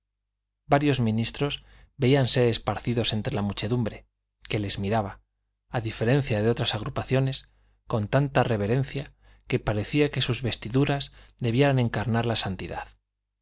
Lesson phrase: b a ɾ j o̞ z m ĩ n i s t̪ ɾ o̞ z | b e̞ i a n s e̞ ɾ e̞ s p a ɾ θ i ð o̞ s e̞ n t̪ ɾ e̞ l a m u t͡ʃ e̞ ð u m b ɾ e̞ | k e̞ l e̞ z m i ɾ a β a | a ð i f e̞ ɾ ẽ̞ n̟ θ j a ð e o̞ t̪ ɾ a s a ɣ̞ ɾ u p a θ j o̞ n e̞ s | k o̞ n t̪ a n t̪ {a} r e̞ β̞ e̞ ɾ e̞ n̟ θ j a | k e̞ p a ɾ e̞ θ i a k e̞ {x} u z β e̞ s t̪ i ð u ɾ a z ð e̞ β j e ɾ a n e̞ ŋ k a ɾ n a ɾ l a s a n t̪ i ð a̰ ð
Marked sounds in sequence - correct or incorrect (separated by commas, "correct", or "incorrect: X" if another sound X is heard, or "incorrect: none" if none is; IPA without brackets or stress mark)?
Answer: correct, incorrect: s